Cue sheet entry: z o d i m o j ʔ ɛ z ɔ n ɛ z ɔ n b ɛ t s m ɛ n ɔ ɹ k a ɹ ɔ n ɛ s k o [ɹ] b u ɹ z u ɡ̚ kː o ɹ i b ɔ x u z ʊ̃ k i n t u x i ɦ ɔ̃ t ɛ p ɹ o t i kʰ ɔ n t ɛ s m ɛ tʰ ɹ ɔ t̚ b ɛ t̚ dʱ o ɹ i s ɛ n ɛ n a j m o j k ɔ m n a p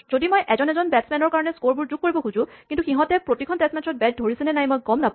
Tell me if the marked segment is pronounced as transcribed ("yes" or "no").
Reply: yes